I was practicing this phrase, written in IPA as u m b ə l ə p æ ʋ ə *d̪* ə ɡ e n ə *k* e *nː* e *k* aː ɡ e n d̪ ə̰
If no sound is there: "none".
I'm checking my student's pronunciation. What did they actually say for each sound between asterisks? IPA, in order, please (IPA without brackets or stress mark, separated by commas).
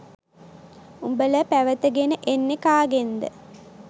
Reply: t̪, ʔ, nː, k